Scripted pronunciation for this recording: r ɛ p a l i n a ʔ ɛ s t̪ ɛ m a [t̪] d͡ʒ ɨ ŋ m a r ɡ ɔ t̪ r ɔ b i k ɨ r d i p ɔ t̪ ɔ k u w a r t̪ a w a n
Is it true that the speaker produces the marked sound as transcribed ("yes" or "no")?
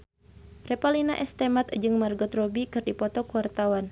yes